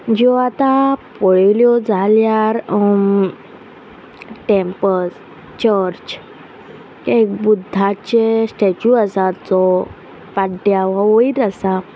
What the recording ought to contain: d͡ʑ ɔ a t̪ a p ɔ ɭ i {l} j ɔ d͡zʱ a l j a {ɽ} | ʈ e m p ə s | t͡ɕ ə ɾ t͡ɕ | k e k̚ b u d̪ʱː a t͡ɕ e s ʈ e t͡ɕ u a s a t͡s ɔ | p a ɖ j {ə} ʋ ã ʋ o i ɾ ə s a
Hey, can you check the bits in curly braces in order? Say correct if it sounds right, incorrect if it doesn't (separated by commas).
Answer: correct, incorrect, incorrect